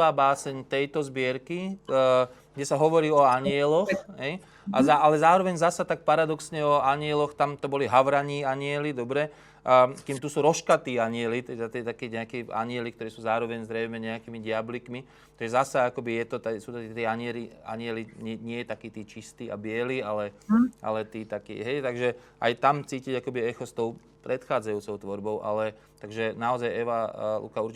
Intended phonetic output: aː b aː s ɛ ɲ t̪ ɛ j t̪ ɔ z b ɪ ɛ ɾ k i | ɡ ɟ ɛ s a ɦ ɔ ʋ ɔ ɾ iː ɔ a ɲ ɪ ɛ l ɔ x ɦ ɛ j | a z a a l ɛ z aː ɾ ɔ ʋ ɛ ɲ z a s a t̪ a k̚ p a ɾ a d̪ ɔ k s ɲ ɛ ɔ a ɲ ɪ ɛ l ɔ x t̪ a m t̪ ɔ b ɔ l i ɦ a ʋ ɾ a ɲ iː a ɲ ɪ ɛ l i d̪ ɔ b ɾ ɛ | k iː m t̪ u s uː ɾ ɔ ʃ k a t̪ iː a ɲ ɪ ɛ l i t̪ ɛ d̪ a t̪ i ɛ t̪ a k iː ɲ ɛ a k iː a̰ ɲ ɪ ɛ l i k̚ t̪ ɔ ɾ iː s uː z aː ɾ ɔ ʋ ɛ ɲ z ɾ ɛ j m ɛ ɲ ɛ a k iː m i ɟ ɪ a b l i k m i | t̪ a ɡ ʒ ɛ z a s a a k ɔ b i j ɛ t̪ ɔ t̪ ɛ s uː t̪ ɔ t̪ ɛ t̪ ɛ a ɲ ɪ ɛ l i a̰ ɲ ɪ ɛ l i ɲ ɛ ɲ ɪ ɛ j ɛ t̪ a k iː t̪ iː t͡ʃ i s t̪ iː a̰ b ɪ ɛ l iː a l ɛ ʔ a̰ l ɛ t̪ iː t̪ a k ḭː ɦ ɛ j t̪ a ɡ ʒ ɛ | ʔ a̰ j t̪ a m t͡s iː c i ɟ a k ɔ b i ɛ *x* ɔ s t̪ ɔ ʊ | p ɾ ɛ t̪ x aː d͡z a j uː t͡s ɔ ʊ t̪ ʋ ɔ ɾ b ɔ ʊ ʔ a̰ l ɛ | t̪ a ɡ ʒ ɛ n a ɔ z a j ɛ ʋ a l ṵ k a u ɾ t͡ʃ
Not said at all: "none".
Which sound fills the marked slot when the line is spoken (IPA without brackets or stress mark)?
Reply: x